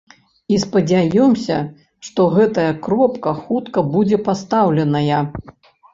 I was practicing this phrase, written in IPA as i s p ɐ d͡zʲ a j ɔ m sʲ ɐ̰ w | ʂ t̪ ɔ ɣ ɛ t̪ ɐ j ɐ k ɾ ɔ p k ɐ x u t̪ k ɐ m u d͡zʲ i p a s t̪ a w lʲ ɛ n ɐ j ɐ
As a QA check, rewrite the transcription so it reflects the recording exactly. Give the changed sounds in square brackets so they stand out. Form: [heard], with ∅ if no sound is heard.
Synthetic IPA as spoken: i s p ɐ d͡zʲ a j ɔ m sʲ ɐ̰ [∅] | ʂ t̪ ɔ ɣ ɛ t̪ ɐ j ɐ k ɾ ɔ p k ɐ x u t̪ k ɐ [b] u d͡zʲ [ɛ] p a s t̪ a w lʲ ɛ n ɐ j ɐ